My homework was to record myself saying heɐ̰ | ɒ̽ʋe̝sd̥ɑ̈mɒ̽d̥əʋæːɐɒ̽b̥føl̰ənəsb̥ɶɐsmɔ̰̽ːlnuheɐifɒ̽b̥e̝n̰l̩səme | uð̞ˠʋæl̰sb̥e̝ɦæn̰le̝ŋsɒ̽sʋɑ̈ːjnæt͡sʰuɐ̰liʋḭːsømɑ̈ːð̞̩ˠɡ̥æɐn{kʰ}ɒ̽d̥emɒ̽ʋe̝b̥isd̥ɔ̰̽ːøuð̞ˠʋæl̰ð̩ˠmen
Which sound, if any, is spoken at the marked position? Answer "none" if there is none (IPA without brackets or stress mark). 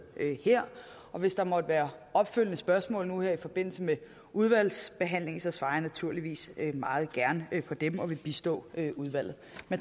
pʰ